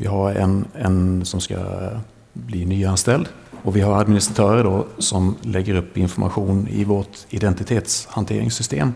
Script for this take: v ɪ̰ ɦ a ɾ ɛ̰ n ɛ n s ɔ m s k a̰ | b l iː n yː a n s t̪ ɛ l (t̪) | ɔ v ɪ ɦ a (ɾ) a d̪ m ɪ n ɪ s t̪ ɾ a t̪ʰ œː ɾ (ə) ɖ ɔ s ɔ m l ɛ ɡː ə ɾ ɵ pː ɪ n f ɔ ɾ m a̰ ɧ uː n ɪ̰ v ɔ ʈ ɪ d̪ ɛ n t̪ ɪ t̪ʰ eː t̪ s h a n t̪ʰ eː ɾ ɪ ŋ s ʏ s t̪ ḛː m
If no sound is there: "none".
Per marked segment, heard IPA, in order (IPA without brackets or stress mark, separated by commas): d̪, ɾ, ə